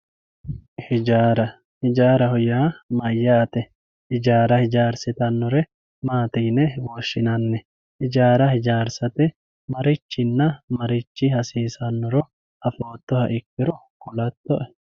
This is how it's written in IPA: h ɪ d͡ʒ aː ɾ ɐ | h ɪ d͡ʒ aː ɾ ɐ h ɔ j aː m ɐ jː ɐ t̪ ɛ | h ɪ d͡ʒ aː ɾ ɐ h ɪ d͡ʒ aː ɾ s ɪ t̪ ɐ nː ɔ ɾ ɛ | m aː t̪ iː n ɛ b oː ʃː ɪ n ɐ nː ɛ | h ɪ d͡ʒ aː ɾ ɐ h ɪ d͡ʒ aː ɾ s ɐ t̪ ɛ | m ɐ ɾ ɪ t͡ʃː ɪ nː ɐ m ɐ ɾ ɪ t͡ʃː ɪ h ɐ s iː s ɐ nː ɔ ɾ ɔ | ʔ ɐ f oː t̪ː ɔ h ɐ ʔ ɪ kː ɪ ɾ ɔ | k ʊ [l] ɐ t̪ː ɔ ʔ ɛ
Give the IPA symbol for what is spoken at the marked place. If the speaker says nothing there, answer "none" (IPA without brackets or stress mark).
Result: l